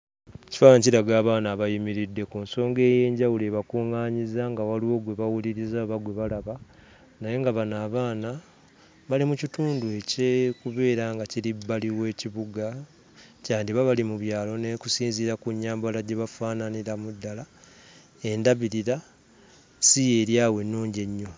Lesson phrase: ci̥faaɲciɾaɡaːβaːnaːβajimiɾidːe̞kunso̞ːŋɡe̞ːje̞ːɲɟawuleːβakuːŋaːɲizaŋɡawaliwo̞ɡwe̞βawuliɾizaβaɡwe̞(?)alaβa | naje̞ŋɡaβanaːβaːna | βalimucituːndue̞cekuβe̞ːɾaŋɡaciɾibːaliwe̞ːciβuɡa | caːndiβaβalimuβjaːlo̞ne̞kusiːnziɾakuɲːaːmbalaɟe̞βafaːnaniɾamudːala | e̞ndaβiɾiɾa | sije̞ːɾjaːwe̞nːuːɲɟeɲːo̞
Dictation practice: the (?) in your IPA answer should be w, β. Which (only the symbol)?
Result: β